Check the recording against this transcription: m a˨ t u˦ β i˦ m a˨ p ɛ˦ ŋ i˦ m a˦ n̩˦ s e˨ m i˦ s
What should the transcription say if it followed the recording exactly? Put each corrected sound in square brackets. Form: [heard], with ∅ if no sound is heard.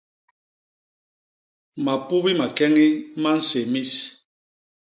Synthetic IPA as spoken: m a˨ [p] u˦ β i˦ m a˨ [k] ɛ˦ ŋ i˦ m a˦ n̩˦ s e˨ m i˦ s